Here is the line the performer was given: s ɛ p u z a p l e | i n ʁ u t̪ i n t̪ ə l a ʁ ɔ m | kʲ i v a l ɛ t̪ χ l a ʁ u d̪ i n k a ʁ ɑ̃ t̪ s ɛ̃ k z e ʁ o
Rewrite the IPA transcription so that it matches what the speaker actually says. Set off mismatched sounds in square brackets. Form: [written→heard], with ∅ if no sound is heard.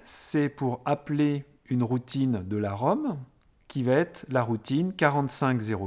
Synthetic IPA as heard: s ɛ p u [z→ʁ] a p l e | [i→y] n ʁ u t̪ i n [t̪→d̪] ə l a ʁ ɔ m | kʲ i v a [l→∅] ɛ t̪ χ l a ʁ u [d̪→t̪] i n k a ʁ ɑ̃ t̪ s ɛ̃ k z e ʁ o

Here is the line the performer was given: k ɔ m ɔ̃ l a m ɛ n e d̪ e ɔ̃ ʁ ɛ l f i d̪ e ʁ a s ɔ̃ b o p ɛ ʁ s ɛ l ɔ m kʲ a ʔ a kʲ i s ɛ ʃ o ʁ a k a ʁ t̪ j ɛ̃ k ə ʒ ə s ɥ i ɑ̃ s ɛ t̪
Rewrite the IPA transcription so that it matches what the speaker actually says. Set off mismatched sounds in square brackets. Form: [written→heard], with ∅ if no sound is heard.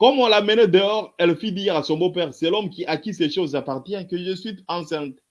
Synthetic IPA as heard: k ɔ m ɔ̃ l a m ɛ n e d̪ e [ɔ̃→ɔ] ʁ ɛ l f i d̪ [e→i] ʁ a s ɔ̃ b o p ɛ ʁ s ɛ l ɔ m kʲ [a→i] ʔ a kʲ i s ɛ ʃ o [ʁ→z] a [k→p] a ʁ t̪ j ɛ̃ k ə ʒ ə s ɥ i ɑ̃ s [ɛ→ɛ̃] t̪

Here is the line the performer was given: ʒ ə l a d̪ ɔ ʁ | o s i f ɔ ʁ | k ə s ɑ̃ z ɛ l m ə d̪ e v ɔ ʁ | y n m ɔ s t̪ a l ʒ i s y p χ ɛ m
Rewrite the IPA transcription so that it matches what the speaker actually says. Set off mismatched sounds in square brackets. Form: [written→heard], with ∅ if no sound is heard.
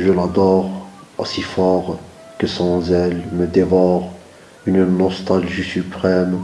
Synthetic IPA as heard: ʒ ə l a d̪ ɔ ʁ | o s i f ɔ ʁ | k ə s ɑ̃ z ɛ l m ə d̪ e v ɔ ʁ | y n [m→n] ɔ s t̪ a l ʒ i s y p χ ɛ m

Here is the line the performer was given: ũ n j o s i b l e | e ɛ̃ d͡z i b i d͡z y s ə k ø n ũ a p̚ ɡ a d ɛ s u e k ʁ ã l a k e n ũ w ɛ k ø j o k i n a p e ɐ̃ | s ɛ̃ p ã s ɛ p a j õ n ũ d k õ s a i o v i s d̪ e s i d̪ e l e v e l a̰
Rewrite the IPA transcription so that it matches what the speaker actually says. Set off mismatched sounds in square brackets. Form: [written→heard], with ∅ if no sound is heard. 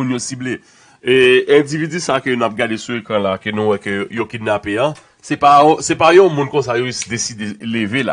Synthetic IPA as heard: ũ n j o s i b l e | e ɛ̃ d͡z i [b→v] i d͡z y s [ə→a] k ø n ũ a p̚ ɡ a d [ɛ→e] s u e k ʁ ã l a k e n ũ w ɛ k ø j o k i n a p e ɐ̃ | s [ɛ̃→ɛ] p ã s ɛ p a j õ [n→m] ũ [d→n] k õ s a [i→j] o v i s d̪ e s i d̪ e l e v e l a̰

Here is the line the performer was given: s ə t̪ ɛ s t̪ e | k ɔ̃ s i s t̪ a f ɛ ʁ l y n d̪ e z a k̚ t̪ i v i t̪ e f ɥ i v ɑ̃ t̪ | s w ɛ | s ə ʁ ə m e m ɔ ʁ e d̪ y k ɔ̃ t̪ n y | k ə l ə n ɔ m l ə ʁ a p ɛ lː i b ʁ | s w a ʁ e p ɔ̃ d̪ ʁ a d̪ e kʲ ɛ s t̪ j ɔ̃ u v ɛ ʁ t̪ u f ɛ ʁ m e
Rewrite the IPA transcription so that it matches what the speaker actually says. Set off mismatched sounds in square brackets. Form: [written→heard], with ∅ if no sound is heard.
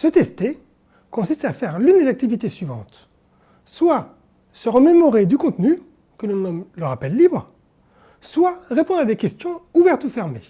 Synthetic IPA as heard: s ə t̪ ɛ s t̪ e | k ɔ̃ s i s t̪ a f ɛ ʁ l y n d̪ e z a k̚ t̪ i v i t̪ e [f→s] ɥ i v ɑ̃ t̪ | s w [ɛ→a] | s ə ʁ ə m e m ɔ ʁ e d̪ y k ɔ̃ t̪ n y | k ə l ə n ɔ m l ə ʁ a p ɛ lː i b ʁ | s w a ʁ e p ɔ̃ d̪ ʁ a d̪ e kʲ ɛ s t̪ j ɔ̃ u v ɛ ʁ t̪ u f ɛ ʁ m e

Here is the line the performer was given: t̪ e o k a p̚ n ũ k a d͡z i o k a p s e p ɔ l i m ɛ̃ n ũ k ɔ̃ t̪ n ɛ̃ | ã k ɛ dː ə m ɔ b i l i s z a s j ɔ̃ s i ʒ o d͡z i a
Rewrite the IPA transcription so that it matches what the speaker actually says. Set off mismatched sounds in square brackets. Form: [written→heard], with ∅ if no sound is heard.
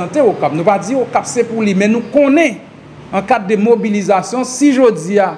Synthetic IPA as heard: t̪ e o k a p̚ n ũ [k→p] a d͡z i o k a p s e p [ɔ→u] l i m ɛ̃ n ũ k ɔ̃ [t̪→∅] n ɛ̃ | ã k [ɛ→a] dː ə m [ɔ→o] b i l i [s→∅] z a s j ɔ̃ s i ʒ o d͡z i a

